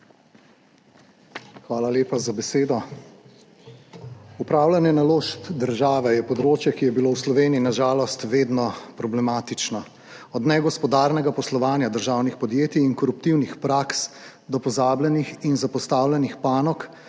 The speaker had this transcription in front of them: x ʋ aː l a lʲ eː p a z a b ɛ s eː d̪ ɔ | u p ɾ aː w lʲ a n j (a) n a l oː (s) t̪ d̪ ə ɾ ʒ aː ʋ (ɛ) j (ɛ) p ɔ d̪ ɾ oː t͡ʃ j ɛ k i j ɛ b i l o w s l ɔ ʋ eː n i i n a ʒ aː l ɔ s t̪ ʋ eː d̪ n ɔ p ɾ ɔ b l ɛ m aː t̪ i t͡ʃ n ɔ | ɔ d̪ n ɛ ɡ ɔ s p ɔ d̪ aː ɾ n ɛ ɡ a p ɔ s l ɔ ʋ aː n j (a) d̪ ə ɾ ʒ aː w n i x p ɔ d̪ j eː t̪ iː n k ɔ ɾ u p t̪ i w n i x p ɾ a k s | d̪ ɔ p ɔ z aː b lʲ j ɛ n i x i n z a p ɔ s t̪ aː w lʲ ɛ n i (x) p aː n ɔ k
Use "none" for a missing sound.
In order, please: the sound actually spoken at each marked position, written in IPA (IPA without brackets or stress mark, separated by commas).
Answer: ɛ, ʃ, ɛ, ɛ, a, x